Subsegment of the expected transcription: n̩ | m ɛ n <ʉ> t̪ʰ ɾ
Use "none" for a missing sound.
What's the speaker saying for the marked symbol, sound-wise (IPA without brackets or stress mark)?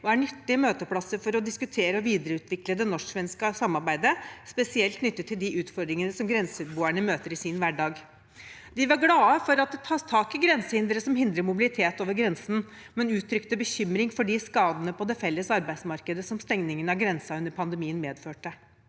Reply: ʉː